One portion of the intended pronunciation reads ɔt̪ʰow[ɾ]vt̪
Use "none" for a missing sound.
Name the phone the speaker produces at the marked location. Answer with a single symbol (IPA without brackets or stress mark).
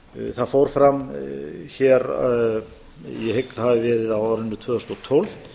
l